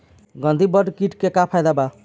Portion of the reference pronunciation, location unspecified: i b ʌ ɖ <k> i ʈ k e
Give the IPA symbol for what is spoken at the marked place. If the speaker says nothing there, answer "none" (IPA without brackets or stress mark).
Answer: k